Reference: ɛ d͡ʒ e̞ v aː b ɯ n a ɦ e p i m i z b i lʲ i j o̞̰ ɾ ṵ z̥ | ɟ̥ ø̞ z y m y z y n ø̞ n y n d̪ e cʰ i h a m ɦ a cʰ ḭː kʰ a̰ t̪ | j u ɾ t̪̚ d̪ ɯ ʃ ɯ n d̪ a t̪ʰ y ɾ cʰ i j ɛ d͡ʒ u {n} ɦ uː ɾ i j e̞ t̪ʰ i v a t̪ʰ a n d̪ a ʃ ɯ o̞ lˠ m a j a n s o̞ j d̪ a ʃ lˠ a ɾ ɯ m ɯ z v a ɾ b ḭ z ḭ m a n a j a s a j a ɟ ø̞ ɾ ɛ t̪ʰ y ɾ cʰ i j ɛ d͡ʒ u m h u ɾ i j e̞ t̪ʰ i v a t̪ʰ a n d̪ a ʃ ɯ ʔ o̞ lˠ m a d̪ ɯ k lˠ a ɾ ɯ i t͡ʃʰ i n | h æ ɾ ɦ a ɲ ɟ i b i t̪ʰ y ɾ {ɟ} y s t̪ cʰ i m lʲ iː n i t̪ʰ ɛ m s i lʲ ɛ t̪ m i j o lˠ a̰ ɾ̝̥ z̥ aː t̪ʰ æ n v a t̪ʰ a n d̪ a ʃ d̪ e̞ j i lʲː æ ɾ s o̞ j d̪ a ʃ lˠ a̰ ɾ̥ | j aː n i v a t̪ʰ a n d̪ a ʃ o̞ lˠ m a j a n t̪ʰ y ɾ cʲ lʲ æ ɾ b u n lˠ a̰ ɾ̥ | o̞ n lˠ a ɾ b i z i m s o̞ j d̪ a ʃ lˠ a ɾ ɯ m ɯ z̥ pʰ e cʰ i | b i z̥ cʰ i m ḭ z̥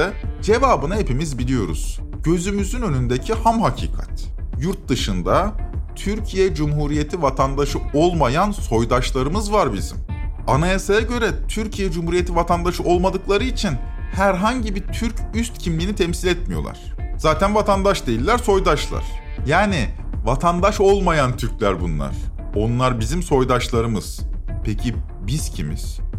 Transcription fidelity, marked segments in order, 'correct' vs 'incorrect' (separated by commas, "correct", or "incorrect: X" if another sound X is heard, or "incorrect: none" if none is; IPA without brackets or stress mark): incorrect: m, incorrect: c